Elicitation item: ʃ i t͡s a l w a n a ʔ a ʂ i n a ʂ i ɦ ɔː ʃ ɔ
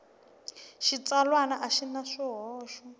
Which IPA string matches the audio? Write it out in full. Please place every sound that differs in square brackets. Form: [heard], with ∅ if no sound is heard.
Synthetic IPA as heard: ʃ i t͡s a l w a n a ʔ a [ʃ] i n a ʂ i ɦ ɔː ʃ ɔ